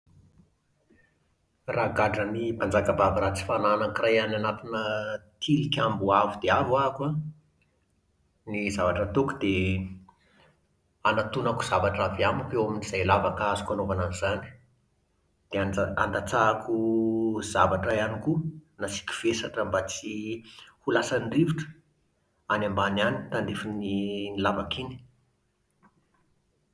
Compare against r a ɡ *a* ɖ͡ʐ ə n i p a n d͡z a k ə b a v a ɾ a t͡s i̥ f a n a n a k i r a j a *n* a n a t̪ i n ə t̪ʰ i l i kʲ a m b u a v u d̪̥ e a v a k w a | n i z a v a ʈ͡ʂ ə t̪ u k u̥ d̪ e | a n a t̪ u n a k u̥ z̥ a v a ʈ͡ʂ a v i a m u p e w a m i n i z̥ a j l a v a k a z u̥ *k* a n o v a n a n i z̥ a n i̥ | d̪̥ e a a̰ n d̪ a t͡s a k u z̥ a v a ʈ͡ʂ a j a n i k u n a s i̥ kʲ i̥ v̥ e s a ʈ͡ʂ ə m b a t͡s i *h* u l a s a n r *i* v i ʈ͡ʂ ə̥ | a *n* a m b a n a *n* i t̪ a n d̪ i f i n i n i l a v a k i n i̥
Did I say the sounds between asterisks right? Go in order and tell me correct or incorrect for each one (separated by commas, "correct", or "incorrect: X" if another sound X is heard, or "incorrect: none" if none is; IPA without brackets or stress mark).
correct, correct, correct, correct, correct, correct, correct